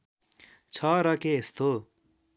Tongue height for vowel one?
mid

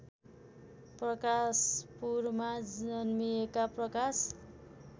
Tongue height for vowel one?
mid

